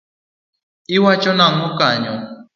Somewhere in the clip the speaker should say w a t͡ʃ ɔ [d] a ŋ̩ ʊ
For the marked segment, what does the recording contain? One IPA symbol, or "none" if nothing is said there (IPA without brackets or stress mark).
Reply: n